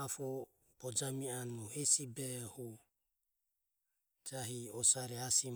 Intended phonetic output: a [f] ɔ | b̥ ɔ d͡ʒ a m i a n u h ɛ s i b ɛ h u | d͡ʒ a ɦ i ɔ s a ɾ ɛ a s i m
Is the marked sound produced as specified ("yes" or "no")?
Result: yes